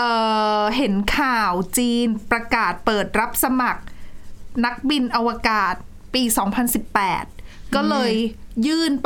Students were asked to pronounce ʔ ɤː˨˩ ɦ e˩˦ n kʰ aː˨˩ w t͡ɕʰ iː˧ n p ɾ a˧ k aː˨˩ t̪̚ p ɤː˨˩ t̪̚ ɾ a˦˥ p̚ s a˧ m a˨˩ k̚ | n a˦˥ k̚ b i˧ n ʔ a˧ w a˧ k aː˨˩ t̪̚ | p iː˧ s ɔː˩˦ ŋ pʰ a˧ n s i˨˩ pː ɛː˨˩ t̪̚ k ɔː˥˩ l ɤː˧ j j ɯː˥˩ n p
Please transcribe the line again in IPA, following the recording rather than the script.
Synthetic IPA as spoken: ʔ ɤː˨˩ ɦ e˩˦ n kʰ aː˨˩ w t͡ɕ iː˧ n p ɾ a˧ k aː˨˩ t̪̚ p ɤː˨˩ t̪̚ ɾ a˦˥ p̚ s a˧ m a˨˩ k̚ | n a˦˥ k̚ b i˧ n ʔ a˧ w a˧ k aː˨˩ t̪̚ | p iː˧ s ɔː˩˦ ŋ pʰ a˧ n s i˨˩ pː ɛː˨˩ t̪̚ k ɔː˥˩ l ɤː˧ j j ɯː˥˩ n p